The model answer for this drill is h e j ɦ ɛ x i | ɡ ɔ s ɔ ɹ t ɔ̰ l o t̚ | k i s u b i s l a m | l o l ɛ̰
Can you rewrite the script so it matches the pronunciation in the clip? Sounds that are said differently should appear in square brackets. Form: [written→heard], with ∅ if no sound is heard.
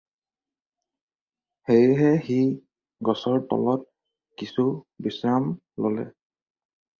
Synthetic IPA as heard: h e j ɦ ɛ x i | ɡ ɔ s ɔ ɹ t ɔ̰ l [o→ɔ] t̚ | k i s u b i s [l→ɹ] a m | l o l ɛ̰